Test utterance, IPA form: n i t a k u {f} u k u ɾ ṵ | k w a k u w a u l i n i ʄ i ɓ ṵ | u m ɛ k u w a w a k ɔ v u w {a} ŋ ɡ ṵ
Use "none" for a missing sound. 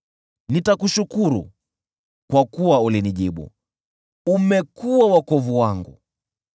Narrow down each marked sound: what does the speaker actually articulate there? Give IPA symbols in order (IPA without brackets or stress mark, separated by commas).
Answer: ʃ, a